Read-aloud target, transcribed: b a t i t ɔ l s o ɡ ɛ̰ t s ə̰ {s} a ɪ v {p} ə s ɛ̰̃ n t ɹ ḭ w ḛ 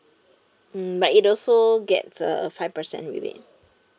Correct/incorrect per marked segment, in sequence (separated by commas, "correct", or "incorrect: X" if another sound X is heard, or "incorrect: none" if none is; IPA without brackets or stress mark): incorrect: f, correct